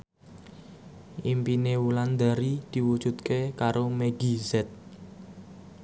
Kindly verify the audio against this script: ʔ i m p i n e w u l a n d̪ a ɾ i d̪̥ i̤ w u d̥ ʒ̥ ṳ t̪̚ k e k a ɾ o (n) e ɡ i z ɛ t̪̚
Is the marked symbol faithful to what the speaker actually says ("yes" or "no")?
no